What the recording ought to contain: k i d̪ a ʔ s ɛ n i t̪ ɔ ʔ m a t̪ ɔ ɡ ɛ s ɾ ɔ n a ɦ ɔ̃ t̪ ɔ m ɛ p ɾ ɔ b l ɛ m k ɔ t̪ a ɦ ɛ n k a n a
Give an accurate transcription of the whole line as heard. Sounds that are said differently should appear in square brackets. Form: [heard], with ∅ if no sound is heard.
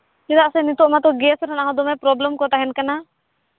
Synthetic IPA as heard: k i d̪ a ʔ s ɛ n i t̪ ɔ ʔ m a t̪ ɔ ɡ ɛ s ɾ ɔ n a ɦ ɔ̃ [d̪] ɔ m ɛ p ɾ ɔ b l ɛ m k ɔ t̪ a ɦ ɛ n k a n a